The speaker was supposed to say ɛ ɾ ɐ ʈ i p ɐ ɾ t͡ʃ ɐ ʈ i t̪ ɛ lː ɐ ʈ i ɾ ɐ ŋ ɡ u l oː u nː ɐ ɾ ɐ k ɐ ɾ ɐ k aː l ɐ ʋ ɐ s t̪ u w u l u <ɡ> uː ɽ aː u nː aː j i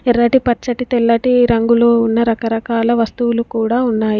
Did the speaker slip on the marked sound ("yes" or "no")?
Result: yes